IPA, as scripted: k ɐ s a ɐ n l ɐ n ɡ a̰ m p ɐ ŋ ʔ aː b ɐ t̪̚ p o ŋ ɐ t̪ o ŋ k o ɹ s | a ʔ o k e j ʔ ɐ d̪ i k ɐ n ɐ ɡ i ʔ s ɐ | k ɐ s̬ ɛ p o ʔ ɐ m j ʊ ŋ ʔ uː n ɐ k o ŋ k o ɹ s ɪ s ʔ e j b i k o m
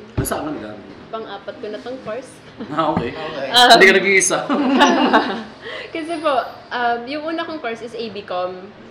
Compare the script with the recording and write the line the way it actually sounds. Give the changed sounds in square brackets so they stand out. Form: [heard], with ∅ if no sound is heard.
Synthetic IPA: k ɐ s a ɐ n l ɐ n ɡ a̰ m p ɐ ŋ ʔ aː [p] ɐ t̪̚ [k] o [n] ɐ t̪ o ŋ k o ɹ s | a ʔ o k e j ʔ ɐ d̪ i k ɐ n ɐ ɡ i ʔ s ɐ | k ɐ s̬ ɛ p o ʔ ɐ m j ʊ ŋ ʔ uː n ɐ k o ŋ k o ɹ s ɪ s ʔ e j b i k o m